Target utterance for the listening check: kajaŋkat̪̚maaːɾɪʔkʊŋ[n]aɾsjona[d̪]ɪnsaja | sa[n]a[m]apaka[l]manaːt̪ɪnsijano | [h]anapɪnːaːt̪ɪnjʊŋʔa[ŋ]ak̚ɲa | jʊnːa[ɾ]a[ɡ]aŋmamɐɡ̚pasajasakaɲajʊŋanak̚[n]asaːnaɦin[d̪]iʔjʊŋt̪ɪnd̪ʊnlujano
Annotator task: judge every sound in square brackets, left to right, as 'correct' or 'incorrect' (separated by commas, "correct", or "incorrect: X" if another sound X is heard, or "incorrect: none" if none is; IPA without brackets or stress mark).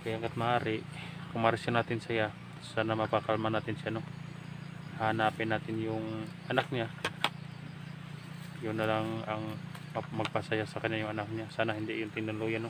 incorrect: m, incorrect: t̪, correct, correct, correct, correct, incorrect: n, incorrect: l, incorrect: ŋ, incorrect: ɲ, correct